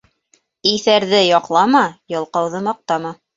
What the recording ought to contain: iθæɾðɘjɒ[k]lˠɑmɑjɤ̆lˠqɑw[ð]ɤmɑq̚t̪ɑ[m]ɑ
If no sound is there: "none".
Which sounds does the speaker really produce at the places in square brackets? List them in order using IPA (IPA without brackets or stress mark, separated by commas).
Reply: q, ð, m